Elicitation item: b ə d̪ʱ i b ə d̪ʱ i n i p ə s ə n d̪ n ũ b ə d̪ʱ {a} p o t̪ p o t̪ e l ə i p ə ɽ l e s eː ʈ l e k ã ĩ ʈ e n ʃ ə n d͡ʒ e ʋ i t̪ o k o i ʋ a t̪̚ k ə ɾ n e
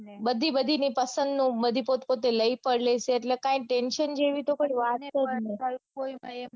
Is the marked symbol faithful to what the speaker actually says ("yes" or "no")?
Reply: no